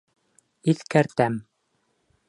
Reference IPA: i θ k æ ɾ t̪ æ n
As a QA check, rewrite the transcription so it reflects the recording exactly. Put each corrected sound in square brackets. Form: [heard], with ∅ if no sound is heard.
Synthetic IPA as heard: i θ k æ ɾ t̪ æ [m]